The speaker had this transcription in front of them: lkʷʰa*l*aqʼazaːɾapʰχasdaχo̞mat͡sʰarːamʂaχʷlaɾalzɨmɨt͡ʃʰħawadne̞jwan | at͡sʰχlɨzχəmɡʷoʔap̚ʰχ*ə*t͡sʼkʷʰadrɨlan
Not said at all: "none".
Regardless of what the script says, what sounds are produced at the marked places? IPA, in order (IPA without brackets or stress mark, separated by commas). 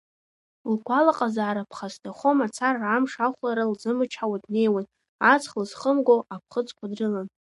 l, ə